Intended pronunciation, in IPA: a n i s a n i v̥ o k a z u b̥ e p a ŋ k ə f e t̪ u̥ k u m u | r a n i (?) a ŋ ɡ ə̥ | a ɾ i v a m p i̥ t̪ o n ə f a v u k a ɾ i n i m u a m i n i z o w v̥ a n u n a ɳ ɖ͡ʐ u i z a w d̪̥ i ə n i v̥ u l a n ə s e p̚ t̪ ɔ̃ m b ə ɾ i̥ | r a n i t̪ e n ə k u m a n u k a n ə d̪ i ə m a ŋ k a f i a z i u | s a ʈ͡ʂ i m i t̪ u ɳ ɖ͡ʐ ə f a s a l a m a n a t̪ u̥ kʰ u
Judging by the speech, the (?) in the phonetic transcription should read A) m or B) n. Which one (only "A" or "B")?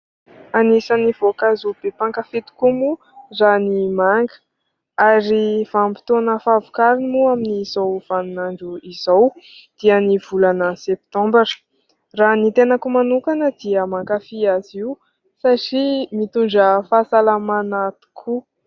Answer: A